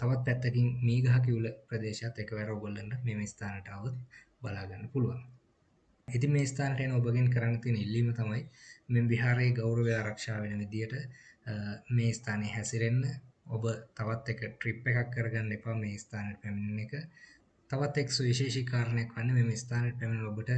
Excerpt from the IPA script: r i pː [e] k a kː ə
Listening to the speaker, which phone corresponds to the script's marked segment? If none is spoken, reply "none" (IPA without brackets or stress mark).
e